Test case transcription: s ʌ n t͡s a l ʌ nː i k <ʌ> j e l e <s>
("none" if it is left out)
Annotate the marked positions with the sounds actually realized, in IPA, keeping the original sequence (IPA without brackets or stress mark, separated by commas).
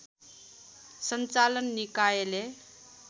a, none